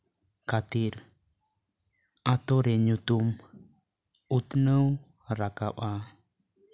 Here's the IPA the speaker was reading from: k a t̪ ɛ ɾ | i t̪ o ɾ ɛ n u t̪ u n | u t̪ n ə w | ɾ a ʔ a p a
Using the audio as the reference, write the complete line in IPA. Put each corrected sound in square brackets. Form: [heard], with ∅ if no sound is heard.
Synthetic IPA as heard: k a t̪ [i] ɾ | [a] t̪ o ɾ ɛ [ɲ] u t̪ u [m] | u t̪ n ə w | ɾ a [k] a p a